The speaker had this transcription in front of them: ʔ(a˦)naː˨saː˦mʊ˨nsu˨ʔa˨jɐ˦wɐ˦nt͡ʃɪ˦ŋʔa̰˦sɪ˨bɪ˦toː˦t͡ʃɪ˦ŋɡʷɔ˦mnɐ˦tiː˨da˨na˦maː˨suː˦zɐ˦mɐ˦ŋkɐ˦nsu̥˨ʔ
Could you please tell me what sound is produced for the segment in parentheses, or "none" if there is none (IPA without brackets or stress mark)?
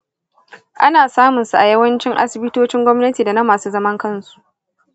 a˦